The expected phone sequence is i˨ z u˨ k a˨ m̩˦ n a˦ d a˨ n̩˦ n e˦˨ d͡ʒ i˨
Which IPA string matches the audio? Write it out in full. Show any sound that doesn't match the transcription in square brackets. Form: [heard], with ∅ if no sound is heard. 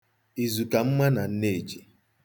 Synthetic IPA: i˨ z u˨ k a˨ m̩˦ [m] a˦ [n] a˨ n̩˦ n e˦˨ d͡ʒ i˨